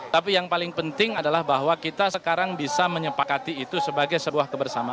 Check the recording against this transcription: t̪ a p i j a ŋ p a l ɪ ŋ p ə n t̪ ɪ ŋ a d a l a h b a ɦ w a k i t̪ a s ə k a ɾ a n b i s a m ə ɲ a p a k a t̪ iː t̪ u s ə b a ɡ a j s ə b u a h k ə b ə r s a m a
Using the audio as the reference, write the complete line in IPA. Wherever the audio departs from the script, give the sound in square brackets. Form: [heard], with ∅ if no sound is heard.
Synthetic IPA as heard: t̪ a p i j a ŋ p a l ɪ ŋ p ə n t̪ ɪ ŋ a d a l a h b a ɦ w a k i t̪ a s ə k a ɾ a [ŋ] b i s a m ə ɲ [ə] p a k a t̪ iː t̪ u s ə b a ɡ a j s ə b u a h k ə b ə r s a m a